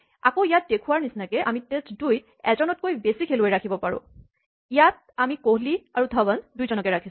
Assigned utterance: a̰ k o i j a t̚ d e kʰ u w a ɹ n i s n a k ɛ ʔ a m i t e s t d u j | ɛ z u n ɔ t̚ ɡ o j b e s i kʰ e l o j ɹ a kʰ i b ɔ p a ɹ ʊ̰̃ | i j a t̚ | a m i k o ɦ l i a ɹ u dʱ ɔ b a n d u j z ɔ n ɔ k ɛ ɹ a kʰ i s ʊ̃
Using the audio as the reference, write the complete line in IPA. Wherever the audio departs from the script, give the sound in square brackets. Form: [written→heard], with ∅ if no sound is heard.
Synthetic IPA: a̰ k o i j a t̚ d e kʰ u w a ɹ n i s n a k ɛ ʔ a m i t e s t d u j | ɛ z [u→ɔ] n ɔ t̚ [ɡ→k] o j b e s i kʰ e l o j ɹ a kʰ i b ɔ p a ɹ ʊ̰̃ | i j a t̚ | a m i k o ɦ l i a ɹ u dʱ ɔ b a n d u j z ɔ n ɔ k ɛ ɹ a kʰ i s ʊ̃